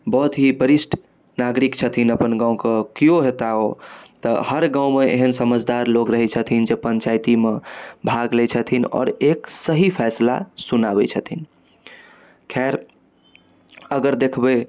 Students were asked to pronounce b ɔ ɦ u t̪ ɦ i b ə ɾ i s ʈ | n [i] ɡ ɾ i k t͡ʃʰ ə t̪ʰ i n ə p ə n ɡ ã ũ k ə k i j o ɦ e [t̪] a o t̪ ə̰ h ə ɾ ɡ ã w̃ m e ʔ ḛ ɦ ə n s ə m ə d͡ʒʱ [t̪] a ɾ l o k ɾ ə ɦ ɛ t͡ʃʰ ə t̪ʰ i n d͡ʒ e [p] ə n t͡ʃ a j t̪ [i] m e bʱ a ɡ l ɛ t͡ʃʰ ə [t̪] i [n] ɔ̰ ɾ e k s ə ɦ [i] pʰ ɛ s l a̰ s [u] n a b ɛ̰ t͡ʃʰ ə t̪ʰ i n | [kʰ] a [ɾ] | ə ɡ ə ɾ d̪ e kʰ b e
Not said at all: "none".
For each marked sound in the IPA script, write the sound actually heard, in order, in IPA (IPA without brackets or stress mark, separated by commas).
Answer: a, t̪, d̪, p, i, t̪ʰ, n, i, u, kʰ, ɾ